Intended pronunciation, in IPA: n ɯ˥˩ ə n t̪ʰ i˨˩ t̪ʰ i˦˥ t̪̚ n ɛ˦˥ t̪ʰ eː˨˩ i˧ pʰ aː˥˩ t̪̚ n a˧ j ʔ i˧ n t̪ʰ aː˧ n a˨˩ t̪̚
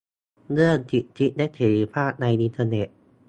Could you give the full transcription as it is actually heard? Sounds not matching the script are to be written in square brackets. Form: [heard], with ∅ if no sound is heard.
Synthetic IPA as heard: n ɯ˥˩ ə n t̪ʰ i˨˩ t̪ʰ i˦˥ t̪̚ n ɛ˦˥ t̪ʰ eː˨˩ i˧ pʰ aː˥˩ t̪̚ n a˧ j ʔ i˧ n t̪ʰ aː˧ n [e˨˩] t̪̚

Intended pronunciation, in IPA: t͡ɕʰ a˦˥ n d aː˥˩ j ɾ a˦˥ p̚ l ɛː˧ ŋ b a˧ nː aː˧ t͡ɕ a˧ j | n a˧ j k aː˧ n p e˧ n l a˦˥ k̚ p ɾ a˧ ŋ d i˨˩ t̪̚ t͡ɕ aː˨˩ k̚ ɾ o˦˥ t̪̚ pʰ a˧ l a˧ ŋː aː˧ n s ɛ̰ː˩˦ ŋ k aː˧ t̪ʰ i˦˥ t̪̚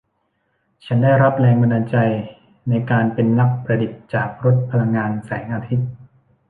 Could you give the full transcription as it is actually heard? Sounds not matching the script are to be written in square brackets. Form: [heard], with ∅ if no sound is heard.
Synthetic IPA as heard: t͡ɕʰ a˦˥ n d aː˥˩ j ɾ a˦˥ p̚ l ɛː˧ ŋ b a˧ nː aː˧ t͡ɕ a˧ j | n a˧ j k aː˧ n p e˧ n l a˦˥ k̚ p ɾ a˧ [∅] d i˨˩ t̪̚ t͡ɕ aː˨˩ k̚ ɾ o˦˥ t̪̚ pʰ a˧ l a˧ ŋː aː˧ n s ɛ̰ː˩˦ ŋ [ʔ] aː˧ t̪ʰ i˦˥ t̪̚

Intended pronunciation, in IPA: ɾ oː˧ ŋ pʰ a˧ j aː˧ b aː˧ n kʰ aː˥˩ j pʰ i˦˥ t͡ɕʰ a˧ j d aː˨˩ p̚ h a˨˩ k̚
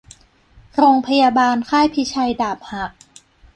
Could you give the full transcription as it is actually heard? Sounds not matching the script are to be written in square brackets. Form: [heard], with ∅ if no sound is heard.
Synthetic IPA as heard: ɾ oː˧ ŋ pʰ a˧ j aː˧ b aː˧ n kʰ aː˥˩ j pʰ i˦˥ t͡ɕʰ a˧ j d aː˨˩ p̚ h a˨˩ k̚

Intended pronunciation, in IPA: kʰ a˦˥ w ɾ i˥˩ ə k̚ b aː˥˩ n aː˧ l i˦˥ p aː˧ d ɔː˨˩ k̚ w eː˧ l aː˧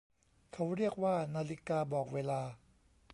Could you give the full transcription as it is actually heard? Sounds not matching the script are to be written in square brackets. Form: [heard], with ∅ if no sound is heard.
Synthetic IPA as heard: kʰ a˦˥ w ɾ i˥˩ ə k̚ [w] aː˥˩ n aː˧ l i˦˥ [k] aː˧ [b] ɔː˨˩ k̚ w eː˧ l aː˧

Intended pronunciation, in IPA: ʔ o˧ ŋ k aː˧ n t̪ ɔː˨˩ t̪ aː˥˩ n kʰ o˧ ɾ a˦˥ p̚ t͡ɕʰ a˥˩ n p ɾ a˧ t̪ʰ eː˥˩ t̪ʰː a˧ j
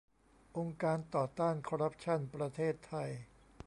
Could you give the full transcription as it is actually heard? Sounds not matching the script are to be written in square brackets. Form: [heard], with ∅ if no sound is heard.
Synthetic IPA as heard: ʔ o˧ ŋ k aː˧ n t̪ ɔː˨˩ t̪ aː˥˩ n kʰ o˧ ɾ a˦˥ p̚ t͡ɕʰ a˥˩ n p ɾ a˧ t̪ʰ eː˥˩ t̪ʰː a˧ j

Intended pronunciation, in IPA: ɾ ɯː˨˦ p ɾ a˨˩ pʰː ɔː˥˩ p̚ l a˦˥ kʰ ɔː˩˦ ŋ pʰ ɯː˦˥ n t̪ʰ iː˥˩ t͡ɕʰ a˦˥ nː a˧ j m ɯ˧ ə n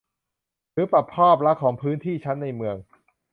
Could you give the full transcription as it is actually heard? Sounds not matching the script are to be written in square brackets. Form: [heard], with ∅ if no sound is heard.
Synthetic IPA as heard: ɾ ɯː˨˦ p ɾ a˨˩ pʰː ɔː˥˩ p̚ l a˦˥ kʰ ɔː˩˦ ŋ pʰ ɯː˦˥ n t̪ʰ iː˥˩ t͡ɕʰ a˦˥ nː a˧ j m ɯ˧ ə [ŋ]

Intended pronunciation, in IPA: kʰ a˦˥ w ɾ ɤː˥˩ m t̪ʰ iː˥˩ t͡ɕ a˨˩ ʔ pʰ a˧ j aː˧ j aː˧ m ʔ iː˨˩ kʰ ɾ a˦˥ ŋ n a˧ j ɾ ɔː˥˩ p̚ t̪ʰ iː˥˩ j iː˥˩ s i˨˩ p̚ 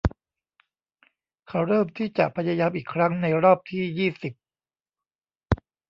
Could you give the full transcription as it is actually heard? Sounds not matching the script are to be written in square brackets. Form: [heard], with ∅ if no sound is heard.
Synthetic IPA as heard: kʰ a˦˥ w ɾ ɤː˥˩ m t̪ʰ iː˥˩ t͡ɕ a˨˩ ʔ pʰ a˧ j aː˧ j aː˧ m ʔ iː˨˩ kʰ ɾ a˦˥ ŋ n a˧ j ɾ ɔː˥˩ p̚ t̪ʰ iː˥˩ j iː˥˩ s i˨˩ p̚

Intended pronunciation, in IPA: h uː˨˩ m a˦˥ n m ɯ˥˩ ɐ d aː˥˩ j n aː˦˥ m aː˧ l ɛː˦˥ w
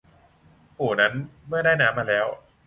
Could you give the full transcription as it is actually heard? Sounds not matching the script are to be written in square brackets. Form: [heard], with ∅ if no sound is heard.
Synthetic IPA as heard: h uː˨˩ [n] a˦˥ n m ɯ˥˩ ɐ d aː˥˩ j n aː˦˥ m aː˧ l ɛː˦˥ w

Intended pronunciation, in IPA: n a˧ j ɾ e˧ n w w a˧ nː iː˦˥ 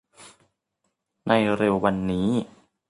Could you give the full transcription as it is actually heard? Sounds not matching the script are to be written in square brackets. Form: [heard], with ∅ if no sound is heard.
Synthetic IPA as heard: n a˧ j ɾ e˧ [∅] w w a˧ nː iː˦˥

